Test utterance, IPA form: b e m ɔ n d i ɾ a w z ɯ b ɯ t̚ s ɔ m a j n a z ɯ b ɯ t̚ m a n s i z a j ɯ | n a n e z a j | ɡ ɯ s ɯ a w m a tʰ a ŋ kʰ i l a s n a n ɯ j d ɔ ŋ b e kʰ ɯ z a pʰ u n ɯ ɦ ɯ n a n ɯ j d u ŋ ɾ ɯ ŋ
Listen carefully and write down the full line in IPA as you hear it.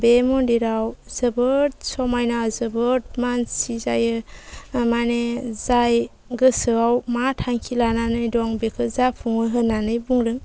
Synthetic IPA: b e m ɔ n d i ɾ a w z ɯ b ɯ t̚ s ɔ m a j n a z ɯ b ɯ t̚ m a n s i z a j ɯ | m a n e z a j | ɡ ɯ s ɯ a w m a tʰ a ŋ kʰ i l a n a n ɯ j d ɔ ŋ b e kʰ ɯ z a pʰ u ŋ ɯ ɦ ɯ n a n ɯ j b u ŋ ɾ ɯ ŋ